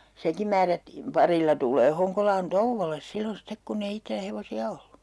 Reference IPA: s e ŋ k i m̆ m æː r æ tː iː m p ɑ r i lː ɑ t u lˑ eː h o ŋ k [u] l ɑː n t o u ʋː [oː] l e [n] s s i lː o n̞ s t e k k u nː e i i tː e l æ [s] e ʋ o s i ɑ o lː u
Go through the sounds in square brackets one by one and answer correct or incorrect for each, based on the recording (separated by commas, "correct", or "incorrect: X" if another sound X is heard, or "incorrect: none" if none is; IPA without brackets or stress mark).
incorrect: o, incorrect: o, incorrect: none, incorrect: h